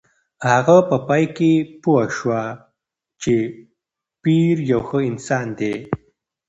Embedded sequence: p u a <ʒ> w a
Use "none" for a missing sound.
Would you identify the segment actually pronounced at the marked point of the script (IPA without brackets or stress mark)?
ʃ